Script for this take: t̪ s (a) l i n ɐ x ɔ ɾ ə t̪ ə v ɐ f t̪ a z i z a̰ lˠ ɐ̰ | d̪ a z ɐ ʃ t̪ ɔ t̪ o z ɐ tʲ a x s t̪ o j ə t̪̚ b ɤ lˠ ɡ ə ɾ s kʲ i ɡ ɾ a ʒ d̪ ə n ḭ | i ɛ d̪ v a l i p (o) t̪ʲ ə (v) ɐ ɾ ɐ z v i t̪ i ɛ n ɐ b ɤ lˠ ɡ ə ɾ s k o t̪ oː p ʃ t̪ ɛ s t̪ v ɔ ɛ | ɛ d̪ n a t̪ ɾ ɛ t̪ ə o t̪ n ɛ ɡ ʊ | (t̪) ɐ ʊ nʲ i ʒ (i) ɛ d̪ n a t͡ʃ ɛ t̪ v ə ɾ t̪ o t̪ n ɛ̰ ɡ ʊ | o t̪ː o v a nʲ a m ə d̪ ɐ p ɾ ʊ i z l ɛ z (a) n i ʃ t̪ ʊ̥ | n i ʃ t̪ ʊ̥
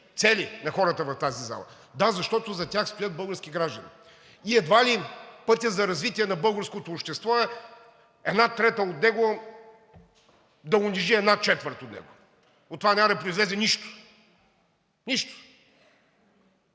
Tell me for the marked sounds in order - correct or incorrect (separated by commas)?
incorrect, incorrect, incorrect, incorrect, correct, incorrect